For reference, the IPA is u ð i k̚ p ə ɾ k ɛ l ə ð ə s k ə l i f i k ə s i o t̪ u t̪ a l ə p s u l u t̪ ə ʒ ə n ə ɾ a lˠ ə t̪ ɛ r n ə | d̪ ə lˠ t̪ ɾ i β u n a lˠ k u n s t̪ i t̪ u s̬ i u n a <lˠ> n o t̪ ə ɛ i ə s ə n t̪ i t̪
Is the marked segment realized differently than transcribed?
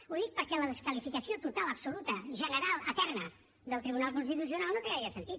no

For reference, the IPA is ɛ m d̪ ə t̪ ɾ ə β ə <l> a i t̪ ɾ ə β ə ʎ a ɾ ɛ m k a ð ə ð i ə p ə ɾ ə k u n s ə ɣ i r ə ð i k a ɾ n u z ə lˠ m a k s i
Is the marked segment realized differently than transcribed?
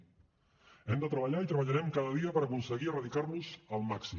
yes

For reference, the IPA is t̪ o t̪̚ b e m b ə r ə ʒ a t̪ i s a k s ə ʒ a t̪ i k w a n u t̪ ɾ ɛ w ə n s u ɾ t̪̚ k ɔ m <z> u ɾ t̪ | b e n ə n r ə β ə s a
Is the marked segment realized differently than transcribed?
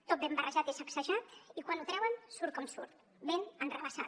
yes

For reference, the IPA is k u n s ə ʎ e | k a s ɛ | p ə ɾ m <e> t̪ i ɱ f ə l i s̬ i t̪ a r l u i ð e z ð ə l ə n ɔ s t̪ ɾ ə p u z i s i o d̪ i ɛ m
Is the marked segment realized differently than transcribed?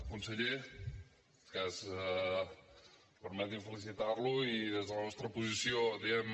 yes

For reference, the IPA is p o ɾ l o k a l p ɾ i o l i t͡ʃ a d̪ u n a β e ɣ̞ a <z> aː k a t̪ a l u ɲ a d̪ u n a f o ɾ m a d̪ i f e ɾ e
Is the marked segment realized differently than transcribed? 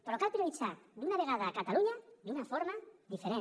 yes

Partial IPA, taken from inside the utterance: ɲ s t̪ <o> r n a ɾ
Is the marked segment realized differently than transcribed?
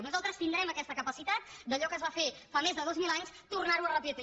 yes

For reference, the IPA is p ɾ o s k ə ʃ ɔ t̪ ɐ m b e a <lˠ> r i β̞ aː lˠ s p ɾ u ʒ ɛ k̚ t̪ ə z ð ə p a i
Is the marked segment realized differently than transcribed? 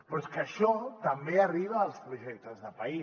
yes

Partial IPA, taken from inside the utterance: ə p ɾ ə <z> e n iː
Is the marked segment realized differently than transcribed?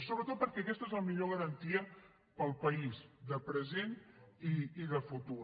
no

